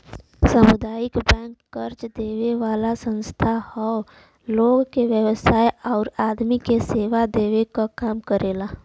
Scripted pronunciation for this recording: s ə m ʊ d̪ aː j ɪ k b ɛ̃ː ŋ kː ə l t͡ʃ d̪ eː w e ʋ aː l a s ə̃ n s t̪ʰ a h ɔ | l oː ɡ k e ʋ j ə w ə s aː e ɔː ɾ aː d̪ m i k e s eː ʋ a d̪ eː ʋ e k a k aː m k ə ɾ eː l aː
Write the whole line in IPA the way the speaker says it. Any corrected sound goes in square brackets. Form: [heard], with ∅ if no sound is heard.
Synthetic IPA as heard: s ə m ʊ d̪ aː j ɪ k b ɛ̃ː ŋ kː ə [ɾ] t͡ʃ d̪ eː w e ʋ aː l a s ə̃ n s t̪ʰ a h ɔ | l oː ɡ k e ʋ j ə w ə s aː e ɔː ɾ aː d̪ m i k e s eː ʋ a d̪ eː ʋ e k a k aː m k ə ɾ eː l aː